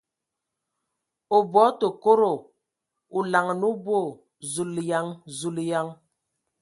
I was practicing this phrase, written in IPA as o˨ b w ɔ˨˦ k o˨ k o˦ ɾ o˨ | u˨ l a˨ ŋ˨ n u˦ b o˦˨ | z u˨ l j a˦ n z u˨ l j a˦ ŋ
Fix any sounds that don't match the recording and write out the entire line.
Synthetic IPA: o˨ b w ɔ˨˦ t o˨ k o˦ ɾ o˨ | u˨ l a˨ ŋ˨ n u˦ b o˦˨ | z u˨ l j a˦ ŋ z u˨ l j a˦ ŋ

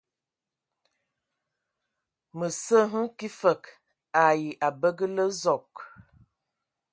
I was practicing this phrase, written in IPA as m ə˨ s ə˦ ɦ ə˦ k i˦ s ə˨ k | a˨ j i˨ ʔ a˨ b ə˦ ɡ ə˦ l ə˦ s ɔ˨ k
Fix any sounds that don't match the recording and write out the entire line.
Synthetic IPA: m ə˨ s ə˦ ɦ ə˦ k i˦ f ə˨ k | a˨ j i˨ ʔ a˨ b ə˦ ɡ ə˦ l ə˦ z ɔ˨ k

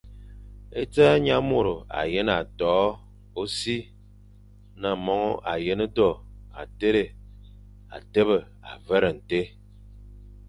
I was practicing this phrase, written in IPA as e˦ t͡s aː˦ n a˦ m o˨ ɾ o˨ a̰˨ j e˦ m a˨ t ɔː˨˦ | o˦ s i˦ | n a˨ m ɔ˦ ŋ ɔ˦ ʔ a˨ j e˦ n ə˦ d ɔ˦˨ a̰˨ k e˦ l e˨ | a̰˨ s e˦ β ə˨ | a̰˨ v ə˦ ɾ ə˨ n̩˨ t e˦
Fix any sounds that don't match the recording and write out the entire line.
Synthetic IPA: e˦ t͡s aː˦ ɲ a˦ m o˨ ɾ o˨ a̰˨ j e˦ n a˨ t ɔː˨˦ | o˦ s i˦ | n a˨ m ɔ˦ ŋ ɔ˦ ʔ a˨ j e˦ n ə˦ d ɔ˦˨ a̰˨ t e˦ ɾ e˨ | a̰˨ t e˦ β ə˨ | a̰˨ v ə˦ ɾ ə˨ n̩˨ t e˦

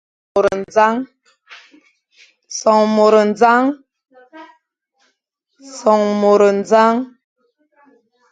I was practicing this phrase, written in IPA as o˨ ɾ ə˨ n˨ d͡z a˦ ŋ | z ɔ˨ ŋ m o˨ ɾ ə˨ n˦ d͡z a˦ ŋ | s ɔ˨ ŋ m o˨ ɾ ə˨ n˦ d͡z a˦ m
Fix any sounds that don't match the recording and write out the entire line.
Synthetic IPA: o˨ ɾ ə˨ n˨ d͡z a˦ ŋ | s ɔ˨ ŋ m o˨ ɾ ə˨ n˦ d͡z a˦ ŋ | s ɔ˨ ŋ m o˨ ɾ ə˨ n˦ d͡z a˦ ŋ

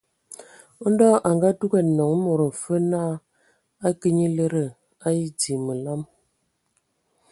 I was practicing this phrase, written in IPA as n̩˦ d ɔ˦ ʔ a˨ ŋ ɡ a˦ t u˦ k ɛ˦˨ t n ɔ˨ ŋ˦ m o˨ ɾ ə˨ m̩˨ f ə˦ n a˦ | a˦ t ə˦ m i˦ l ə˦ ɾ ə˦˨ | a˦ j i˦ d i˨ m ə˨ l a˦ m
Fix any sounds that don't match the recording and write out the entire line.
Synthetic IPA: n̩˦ d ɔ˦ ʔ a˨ ŋ ɡ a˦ t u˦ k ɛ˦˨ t n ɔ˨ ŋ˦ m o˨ ɾ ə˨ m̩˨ f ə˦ n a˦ | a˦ k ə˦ ɲ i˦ l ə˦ ɾ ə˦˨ | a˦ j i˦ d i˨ m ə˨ l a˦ m

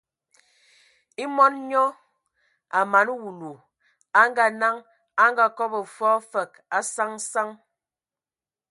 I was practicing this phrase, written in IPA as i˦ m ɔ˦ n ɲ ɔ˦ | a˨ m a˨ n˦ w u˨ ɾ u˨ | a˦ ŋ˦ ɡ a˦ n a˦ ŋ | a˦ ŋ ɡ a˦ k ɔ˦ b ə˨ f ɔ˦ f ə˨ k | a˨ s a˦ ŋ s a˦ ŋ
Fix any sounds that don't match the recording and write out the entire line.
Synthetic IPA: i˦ m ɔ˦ n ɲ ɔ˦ | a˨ m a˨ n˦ w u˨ l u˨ | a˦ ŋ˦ ɡ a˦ n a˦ ŋ | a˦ ŋ ɡ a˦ k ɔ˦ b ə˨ f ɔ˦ f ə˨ k | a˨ s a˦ ŋ s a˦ ŋ

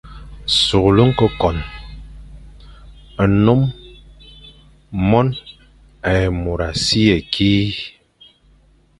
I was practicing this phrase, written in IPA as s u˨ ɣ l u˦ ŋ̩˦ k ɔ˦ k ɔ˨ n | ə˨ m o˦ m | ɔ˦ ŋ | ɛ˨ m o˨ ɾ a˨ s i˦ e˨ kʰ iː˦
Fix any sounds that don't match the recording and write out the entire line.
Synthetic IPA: s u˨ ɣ l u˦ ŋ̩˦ k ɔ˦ k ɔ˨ n | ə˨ n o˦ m | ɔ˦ n | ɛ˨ m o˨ ɾ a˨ s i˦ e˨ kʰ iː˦

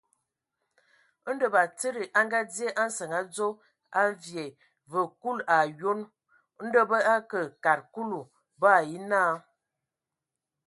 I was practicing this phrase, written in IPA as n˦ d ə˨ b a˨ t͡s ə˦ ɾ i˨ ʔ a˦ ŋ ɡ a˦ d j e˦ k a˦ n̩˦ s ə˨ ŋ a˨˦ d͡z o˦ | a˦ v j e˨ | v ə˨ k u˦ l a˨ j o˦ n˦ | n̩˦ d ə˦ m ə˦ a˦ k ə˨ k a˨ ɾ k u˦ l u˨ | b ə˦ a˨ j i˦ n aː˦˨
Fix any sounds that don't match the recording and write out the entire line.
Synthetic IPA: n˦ d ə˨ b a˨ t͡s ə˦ ɾ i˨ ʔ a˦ ŋ ɡ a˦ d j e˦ ʔ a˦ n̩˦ s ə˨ ŋ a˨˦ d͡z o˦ | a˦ v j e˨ | v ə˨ k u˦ l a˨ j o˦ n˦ | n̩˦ d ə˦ b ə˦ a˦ k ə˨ k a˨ ɾ k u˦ l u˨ | b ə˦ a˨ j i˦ n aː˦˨

